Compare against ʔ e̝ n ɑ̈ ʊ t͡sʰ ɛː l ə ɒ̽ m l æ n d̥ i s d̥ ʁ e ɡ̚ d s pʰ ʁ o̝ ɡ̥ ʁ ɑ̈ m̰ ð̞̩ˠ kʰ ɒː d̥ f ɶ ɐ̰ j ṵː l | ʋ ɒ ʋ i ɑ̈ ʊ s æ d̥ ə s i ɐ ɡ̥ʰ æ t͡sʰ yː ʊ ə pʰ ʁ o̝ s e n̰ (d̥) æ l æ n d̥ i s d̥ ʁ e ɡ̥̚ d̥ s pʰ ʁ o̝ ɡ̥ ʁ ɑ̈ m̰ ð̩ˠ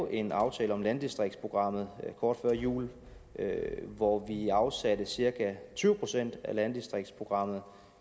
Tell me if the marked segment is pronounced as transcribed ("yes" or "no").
yes